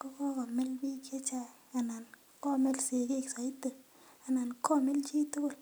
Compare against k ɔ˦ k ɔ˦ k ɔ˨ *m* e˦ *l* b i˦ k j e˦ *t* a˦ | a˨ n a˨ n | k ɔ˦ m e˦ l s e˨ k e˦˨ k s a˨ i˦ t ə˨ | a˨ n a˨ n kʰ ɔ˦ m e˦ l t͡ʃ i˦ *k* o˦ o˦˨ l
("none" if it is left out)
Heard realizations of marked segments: m, l, t͡ʃ, t

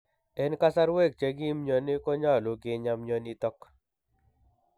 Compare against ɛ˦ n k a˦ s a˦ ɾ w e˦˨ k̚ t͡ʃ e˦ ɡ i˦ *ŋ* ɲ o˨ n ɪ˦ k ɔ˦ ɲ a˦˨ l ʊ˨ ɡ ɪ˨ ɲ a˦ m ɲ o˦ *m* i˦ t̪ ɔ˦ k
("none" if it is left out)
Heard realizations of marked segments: m, n

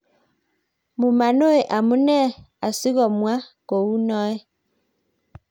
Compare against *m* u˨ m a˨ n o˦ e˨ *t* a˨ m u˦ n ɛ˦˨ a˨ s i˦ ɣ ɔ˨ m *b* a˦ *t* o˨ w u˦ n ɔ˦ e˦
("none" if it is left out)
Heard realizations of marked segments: m, ʔ, w, k

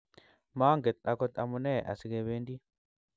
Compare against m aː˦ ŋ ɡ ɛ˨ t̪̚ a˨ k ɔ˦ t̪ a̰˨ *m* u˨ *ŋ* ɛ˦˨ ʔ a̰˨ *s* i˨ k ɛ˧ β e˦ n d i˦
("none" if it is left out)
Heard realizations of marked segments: m, n, s

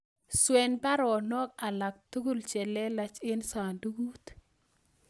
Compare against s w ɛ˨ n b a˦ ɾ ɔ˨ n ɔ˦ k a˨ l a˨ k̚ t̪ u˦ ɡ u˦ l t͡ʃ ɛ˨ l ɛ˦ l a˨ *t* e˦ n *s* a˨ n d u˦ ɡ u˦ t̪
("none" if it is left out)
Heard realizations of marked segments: t͡ʃ, s

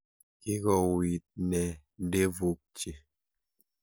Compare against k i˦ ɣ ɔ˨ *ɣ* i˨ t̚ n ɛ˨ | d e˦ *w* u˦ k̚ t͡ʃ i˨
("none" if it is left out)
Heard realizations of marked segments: w, v

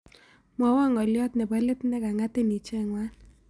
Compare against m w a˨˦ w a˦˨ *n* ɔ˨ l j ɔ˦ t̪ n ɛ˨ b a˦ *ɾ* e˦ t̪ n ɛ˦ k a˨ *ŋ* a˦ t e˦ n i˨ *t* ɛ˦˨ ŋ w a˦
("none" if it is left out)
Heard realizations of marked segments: ŋ, l, ŋ, t͡ʃ

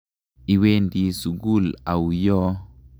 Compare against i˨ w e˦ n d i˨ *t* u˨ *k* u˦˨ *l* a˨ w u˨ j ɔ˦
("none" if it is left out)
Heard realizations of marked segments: s, ɡ, l

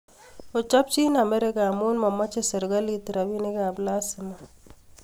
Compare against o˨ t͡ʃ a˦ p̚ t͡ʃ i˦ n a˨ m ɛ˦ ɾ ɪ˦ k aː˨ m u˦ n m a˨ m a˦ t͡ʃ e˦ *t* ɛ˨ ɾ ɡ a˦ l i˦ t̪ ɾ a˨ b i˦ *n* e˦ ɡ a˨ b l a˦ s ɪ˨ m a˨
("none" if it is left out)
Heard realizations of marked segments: s, n

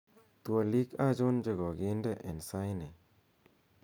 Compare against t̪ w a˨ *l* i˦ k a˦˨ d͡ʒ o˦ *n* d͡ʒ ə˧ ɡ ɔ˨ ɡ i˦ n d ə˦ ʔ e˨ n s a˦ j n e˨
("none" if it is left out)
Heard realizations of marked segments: l, n

